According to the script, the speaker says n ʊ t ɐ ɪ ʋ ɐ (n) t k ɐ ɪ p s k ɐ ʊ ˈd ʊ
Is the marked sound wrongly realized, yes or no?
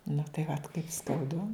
yes